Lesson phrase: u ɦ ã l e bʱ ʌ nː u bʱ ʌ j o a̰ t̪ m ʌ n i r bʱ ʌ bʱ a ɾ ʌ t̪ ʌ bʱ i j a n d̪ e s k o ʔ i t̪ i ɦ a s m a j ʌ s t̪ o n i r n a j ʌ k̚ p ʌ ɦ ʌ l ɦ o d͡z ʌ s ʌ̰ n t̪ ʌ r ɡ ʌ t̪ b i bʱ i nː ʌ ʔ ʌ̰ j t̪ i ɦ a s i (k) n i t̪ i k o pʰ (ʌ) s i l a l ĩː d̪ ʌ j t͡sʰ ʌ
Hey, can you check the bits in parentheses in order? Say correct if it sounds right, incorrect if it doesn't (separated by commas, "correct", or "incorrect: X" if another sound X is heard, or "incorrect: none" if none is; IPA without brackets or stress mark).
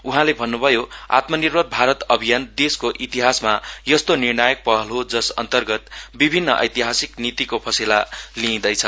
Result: correct, correct